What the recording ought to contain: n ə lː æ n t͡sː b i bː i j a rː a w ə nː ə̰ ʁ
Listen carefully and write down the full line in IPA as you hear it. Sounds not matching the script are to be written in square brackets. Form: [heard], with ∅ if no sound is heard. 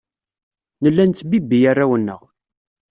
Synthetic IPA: n ə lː æ n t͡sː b i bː i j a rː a w ə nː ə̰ ʁ